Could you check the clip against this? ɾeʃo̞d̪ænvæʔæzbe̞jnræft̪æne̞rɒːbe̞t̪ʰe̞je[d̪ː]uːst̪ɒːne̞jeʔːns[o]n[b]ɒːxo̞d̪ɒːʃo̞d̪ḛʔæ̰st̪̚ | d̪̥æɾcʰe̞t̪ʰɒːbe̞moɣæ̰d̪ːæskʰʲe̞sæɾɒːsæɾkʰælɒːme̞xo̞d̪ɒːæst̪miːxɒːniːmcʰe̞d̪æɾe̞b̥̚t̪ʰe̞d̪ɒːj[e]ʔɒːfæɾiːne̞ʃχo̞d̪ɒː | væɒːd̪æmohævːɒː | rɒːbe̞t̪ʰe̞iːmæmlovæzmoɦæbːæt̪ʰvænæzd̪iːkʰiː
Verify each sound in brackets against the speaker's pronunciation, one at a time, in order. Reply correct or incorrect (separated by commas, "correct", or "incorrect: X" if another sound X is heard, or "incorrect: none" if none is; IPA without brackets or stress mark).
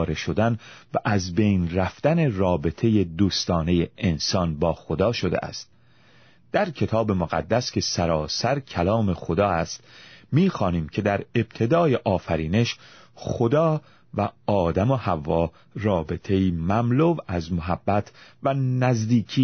incorrect: d̪, incorrect: ɒ, correct, correct